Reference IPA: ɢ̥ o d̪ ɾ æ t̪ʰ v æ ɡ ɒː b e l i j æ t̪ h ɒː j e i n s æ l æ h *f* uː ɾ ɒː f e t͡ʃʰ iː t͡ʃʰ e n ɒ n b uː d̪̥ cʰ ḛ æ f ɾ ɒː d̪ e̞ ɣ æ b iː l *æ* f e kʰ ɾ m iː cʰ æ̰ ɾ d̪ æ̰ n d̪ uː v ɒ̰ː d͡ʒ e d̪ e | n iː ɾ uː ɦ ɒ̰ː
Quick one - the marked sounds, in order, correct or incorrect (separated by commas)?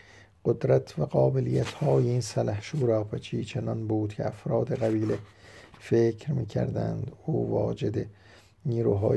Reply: incorrect, incorrect